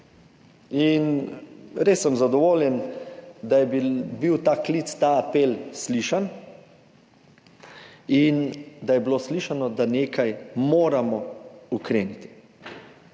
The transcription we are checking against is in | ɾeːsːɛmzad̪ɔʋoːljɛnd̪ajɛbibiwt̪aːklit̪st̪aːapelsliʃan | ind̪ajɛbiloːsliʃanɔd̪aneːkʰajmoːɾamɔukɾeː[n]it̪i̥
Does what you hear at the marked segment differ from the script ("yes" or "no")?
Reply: no